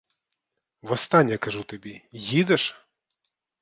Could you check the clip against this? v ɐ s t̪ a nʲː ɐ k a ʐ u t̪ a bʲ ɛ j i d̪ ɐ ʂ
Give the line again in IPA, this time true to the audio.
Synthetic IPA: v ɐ s t̪ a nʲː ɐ k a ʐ u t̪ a bʲ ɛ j i d̪ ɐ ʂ